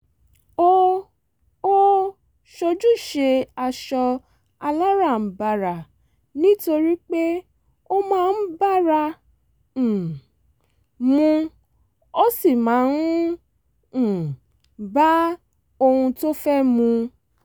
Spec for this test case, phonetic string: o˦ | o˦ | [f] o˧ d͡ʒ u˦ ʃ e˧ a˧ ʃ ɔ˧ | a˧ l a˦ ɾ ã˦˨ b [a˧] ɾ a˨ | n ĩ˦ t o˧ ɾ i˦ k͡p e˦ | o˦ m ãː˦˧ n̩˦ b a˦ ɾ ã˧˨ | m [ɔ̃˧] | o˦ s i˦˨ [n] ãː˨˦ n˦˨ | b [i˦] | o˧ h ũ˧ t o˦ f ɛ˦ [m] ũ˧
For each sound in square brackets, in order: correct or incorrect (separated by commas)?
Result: incorrect, correct, incorrect, incorrect, incorrect, correct